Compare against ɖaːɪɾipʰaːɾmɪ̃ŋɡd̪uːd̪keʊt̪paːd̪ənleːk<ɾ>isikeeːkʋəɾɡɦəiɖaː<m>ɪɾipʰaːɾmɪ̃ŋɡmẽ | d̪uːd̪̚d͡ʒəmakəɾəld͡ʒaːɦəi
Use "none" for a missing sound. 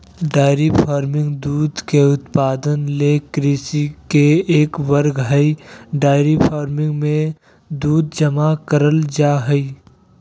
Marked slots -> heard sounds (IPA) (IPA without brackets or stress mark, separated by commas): ɾ, none